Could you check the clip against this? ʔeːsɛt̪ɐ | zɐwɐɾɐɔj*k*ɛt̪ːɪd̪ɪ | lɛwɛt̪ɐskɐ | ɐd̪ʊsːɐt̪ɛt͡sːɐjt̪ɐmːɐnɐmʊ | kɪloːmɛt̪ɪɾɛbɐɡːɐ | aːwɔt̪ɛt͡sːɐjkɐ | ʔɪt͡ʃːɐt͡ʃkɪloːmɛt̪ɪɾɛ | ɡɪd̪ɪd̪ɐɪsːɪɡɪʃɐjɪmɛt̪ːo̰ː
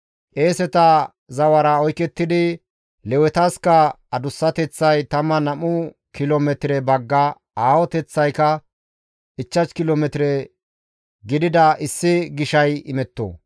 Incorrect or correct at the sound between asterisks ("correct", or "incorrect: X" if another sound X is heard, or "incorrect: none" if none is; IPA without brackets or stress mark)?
correct